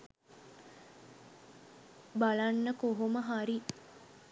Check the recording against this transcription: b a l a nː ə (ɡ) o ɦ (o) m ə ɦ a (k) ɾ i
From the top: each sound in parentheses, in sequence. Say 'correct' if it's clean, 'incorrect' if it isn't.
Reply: incorrect, correct, incorrect

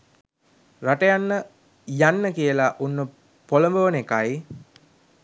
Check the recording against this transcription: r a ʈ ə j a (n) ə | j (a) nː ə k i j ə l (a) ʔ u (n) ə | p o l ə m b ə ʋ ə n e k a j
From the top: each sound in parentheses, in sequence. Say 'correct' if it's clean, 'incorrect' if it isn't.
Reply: incorrect, correct, correct, incorrect

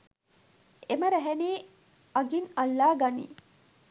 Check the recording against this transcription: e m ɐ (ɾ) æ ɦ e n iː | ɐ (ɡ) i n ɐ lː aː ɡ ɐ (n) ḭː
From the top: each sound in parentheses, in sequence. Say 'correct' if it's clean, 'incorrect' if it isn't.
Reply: correct, correct, correct

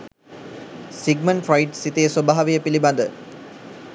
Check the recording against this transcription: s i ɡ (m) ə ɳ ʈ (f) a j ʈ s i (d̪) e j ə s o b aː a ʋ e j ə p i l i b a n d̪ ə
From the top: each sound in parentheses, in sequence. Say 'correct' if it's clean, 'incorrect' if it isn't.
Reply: correct, correct, incorrect

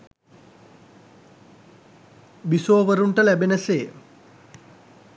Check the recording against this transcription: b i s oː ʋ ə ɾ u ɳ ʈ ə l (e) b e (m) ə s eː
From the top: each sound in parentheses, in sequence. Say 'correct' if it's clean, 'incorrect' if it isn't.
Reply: incorrect, incorrect

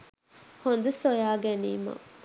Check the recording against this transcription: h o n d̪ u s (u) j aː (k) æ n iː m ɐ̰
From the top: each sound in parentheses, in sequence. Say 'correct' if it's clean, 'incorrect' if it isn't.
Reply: incorrect, incorrect

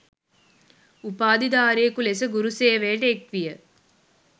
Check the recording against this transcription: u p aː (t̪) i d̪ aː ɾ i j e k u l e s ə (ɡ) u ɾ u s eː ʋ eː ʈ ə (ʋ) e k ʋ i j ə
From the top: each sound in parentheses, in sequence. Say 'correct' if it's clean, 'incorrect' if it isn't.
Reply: incorrect, correct, incorrect

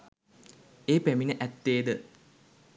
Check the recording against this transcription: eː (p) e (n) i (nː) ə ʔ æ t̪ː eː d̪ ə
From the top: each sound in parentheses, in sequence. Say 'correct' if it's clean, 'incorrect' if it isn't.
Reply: correct, incorrect, incorrect

